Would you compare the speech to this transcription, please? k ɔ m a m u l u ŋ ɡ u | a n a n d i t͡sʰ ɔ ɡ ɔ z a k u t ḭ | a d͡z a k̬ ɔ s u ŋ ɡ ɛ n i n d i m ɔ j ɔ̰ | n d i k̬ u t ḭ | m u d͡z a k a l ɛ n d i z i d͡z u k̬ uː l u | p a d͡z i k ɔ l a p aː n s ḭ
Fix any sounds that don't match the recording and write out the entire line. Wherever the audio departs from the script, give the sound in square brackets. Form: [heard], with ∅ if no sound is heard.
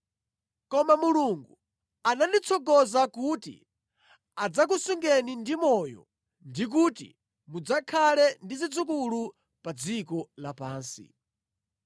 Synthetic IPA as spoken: k ɔ m a m u l u ŋ ɡ u | a n a n d i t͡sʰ ɔ ɡ ɔ z a k u t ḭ | a d͡z a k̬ [u] s u ŋ ɡ ɛ n i n d i m ɔ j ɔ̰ | n d i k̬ u t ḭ | m u d͡z a [kʰ] a l ɛ n d i z i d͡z u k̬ [u] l u | p a d͡z i k ɔ l a p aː n s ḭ

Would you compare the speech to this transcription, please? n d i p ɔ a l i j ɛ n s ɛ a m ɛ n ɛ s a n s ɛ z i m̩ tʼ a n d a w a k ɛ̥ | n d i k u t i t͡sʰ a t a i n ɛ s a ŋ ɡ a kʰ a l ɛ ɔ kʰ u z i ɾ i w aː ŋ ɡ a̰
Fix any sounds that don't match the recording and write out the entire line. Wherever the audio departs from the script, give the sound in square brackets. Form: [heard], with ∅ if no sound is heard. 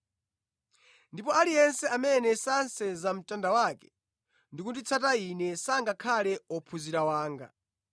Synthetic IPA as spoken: n d i p ɔ a l i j ɛ n s ɛ a m ɛ n ɛ s a n s ɛ z [a] m̩ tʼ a n d a w a k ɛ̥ | n d i k u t i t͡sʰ a t a i n ɛ s a ŋ ɡ a kʰ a l ɛ ɔ [pʰ] u z i ɾ [a] w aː ŋ ɡ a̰

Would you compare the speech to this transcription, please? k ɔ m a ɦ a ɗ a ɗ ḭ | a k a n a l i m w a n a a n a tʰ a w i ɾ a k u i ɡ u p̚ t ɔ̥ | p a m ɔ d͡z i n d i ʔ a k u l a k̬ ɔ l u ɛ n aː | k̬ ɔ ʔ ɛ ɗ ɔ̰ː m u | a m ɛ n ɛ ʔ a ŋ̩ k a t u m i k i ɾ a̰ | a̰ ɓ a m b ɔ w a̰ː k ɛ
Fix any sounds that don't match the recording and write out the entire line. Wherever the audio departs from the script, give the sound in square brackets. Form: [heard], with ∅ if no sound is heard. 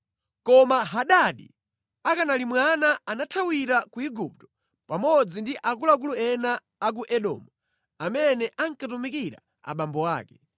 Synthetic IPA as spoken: k ɔ m a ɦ a ɗ a ɗ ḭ | a k a n a l i m w a n a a n a tʰ a w i ɾ a k u i ɡ u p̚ t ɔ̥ | p a m ɔ d͡z i n d i ʔ a k u l a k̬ [u] l u ɛ n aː | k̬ [u] ʔ ɛ ɗ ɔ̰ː m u | a m ɛ n ɛ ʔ a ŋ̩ k a t u m i k i ɾ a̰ | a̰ ɓ a m b ɔ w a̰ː k ɛ

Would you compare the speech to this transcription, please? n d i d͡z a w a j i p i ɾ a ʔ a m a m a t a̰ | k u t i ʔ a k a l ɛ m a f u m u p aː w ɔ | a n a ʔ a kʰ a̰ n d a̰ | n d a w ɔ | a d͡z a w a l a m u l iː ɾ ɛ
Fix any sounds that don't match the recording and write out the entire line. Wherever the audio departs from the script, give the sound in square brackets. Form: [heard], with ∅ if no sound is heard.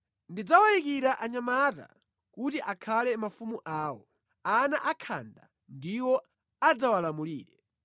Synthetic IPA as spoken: n d i d͡z a w a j i [k] i ɾ a ʔ a [ɲ] a m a t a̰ | k u t i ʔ a [kʰ] a l ɛ m a f u m u [ʔ] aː w ɔ | a n a ʔ a kʰ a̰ n d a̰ | n d [i] w ɔ | a d͡z a w a l a m u l iː ɾ ɛ

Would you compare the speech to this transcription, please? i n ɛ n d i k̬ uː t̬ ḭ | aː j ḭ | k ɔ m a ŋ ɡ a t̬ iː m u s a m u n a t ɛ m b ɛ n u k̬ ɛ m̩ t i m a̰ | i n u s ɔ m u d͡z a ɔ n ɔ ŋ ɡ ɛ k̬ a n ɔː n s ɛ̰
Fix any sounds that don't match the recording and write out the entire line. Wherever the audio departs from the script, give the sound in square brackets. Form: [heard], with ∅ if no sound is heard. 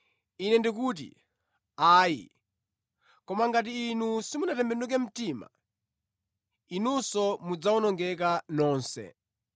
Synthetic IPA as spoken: i n ɛ n d i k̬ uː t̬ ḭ | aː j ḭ | k ɔ m a ŋ ɡ a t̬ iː [n] u s [i] m u n a t ɛ m b ɛ n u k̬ ɛ m̩ t i m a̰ | i n u s ɔ m u d͡z a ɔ n ɔ ŋ ɡ ɛ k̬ a n ɔː n s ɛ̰

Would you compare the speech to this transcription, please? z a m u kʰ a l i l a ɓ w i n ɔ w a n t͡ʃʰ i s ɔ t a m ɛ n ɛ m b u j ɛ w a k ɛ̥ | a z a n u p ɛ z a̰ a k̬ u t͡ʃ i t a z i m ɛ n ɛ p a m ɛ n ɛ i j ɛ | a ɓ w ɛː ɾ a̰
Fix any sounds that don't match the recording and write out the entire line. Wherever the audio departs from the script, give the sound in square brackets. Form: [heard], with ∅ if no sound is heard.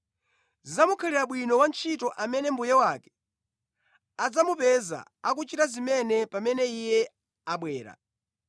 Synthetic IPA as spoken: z a m u kʰ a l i [ɾ] a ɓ w i n ɔ w a n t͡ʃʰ i [t] ɔ [ʔ] a m ɛ n ɛ m b u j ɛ w a k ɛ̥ | a [d͡z] a [m] u p ɛ z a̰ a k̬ u t͡ʃ i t a z i m ɛ n ɛ p a m ɛ n ɛ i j ɛ | a ɓ w ɛː ɾ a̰

